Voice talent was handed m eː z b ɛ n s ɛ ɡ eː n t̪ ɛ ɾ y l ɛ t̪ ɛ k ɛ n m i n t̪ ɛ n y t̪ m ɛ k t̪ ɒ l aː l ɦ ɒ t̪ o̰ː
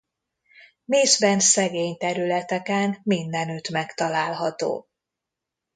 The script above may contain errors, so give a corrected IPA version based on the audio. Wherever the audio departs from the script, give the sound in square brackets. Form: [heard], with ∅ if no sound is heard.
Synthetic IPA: m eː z b ɛ n s ɛ ɡ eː [ɲ] t̪ ɛ ɾ y l ɛ t̪ ɛ k ɛ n m i n [d̪] ɛ n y t̪ m ɛ k t̪ ɒ l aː l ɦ ɒ t̪ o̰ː